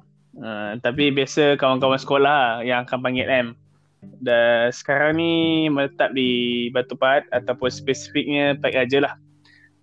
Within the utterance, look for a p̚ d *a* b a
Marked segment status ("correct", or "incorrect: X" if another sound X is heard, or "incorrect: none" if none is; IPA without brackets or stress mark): incorrect: i